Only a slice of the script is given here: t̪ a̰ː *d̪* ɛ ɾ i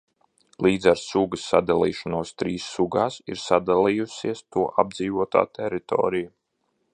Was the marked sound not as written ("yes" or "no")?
yes